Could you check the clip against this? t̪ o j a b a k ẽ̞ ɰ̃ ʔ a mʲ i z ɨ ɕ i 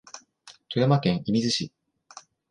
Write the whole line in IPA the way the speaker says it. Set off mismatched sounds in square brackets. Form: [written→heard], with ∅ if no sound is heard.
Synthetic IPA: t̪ o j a [b→m] a k ẽ̞ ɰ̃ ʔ [a→i] mʲ i z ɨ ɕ i